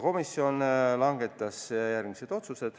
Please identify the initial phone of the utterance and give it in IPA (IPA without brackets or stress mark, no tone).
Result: k